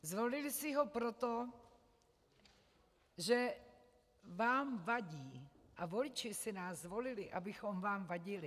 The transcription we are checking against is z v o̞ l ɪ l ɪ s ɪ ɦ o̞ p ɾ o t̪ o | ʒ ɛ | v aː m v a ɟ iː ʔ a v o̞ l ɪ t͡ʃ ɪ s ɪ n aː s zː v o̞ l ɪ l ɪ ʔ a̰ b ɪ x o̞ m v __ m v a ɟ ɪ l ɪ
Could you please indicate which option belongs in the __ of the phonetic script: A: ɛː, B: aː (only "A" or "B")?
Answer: B